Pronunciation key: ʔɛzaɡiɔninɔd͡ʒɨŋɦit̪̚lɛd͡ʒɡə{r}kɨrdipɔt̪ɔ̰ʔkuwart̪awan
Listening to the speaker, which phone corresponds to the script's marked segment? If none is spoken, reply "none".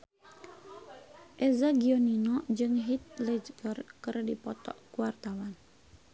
r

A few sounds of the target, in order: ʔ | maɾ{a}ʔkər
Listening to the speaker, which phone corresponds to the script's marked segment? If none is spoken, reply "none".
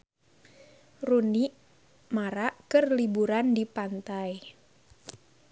a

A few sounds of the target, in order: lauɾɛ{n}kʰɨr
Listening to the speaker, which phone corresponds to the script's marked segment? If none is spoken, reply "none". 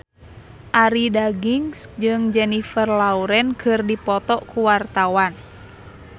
n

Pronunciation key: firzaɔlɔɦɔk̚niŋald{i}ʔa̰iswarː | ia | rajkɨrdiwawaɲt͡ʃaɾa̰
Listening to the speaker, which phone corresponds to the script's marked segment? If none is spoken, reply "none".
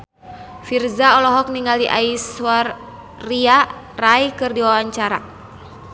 i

